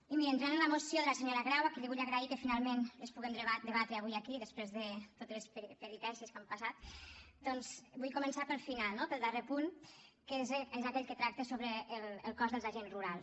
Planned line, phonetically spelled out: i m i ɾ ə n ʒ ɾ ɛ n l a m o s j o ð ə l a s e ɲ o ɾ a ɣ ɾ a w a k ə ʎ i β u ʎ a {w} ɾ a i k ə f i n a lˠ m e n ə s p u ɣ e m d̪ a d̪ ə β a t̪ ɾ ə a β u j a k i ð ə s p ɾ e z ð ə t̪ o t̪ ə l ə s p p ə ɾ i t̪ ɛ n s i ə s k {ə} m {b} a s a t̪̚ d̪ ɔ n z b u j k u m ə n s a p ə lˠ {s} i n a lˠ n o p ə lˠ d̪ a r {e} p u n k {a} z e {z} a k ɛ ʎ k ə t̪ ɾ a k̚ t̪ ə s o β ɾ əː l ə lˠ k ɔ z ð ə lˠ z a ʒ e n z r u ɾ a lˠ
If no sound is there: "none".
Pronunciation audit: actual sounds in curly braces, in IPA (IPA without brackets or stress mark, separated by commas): ɣ, a, p, f, e, e, z